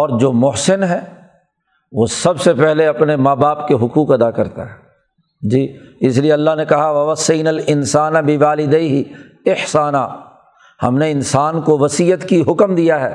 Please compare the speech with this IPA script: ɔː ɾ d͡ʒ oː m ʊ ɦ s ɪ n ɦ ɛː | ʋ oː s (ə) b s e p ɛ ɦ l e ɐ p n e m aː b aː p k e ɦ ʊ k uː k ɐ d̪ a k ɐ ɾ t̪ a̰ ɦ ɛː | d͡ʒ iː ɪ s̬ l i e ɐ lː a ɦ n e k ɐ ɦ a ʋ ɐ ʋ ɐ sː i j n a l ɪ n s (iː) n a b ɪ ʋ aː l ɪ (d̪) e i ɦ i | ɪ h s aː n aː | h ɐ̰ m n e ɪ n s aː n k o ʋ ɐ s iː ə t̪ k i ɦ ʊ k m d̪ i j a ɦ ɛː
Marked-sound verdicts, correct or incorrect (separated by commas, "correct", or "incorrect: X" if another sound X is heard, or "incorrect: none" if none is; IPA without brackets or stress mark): incorrect: ɐ, incorrect: aː, correct